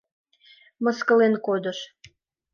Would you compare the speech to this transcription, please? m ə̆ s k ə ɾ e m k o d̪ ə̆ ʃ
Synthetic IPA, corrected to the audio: m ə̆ s k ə l e n k o d̪ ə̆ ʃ

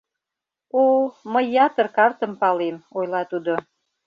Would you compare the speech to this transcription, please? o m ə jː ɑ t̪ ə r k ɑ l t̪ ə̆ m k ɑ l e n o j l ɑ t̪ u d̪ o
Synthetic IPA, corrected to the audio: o m ə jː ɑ t̪ ə r k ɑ r t̪ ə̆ m p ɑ l e m o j l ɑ t̪ u d̪ o

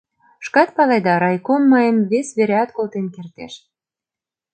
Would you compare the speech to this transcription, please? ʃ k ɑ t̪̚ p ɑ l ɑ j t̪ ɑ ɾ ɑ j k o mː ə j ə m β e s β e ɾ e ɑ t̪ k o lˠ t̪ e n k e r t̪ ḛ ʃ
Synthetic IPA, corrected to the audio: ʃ k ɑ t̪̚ p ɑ l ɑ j d̪ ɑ ɾ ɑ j k o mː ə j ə m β e s β e ɾ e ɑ t̪ k o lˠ t̪ e n k e r t̪ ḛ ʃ

